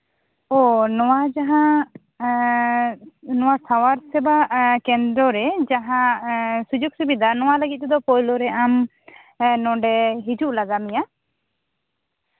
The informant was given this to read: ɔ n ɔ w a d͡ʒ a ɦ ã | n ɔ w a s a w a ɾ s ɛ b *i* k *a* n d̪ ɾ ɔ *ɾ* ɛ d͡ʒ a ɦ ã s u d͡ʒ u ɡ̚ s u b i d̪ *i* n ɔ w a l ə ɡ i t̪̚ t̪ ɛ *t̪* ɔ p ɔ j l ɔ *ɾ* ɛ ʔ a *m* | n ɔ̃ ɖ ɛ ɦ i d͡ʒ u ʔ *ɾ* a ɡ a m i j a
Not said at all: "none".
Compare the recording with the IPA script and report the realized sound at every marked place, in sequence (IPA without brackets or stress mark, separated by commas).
a, ɛ, ɾ, a, d̪, ɾ, m, l